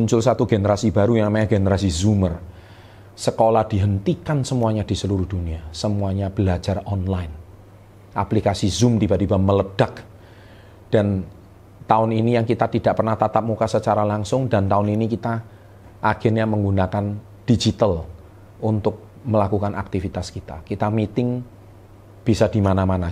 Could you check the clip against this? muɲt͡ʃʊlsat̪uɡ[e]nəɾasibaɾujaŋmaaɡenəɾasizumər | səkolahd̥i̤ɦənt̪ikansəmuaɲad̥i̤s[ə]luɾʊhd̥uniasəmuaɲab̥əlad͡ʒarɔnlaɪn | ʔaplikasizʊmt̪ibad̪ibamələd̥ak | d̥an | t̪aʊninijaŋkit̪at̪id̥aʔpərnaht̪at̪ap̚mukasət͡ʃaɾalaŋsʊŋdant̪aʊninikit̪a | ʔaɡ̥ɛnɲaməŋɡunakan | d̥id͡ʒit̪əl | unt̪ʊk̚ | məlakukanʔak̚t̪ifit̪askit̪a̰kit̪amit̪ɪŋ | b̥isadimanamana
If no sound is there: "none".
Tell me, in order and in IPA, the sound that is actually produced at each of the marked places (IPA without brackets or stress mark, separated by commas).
e, ə